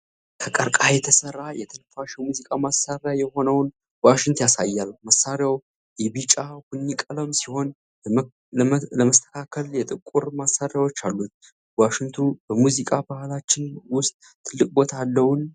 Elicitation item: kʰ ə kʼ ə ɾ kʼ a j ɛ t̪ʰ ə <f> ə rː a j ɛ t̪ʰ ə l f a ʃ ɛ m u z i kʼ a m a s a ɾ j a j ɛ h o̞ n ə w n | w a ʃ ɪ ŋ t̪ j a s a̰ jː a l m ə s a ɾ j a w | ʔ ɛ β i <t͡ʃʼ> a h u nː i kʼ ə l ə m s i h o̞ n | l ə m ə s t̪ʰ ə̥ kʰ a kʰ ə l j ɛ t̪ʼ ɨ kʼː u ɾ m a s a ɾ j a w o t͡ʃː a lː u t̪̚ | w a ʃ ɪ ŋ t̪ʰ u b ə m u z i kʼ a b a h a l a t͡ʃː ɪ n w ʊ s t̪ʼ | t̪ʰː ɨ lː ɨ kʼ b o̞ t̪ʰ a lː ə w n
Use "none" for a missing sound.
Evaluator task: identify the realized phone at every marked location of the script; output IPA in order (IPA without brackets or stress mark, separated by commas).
s, t͡ʃʼ